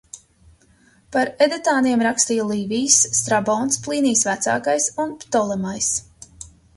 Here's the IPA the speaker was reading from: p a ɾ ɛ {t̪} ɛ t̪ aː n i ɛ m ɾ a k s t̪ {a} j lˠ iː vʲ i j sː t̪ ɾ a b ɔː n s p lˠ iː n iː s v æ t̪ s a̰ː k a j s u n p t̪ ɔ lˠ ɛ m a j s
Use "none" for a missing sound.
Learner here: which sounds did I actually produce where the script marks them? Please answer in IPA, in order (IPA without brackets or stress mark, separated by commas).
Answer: d̪, i